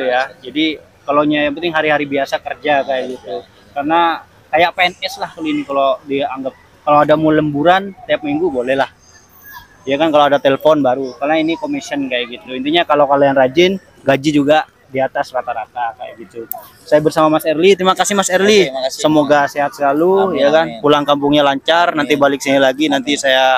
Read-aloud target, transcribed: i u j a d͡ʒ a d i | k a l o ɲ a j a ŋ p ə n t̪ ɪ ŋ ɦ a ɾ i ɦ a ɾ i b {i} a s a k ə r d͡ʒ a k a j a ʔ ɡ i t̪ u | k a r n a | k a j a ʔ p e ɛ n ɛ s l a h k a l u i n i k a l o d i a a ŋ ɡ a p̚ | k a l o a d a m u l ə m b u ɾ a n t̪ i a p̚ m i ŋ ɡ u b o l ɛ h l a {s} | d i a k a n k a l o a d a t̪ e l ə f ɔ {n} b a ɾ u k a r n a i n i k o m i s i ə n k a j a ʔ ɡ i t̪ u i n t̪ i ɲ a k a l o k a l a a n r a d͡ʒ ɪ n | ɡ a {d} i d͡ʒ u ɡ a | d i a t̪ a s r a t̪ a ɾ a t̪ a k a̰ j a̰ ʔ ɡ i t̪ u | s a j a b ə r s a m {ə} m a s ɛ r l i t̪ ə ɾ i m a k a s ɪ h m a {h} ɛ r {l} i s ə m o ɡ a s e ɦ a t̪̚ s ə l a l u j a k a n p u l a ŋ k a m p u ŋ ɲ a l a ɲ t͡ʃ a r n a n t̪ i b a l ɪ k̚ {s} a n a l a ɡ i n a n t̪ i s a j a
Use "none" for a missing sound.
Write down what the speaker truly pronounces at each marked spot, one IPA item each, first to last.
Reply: i, h, n, d͡ʒ, a, s, l, s

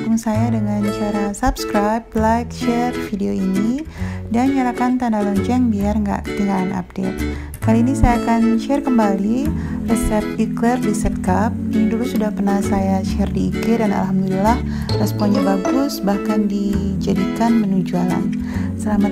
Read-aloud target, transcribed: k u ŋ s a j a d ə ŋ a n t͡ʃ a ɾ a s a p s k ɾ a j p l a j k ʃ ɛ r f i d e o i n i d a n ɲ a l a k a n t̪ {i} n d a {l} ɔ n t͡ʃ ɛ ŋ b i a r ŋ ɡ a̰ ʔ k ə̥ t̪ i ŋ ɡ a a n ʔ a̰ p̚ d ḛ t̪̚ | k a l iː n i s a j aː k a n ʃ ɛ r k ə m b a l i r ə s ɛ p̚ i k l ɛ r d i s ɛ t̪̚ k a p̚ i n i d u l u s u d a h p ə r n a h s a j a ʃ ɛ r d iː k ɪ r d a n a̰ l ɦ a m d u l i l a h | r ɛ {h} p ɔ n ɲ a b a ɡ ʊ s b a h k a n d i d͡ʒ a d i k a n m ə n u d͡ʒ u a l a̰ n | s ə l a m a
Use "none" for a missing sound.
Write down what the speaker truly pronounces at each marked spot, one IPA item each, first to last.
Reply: a, l, s

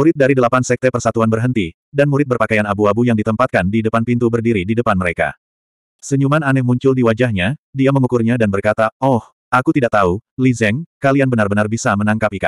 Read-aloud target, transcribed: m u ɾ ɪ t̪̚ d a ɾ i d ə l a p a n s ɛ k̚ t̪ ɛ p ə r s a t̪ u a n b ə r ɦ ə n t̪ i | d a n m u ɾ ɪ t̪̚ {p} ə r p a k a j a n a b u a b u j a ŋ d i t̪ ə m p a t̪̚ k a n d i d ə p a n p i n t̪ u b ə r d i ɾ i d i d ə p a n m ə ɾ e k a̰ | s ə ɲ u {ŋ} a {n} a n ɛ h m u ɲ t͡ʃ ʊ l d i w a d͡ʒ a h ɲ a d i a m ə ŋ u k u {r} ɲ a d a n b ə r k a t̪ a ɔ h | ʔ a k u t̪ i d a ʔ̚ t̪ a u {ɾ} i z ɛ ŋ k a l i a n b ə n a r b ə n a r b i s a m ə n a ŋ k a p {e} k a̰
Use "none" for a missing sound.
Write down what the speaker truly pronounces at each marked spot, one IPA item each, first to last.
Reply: b, m, n, r, l, i

